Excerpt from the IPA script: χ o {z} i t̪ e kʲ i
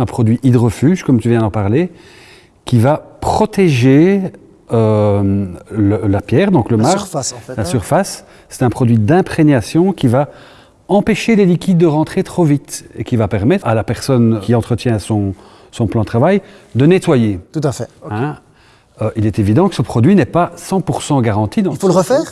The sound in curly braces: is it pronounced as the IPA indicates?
no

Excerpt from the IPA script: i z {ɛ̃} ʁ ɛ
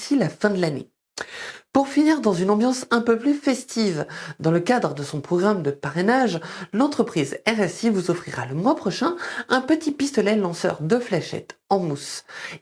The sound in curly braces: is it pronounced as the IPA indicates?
no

